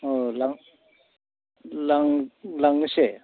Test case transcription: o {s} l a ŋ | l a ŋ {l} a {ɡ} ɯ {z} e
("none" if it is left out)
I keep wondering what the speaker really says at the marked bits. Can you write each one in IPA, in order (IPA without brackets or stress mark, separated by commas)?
none, l, ŋ, s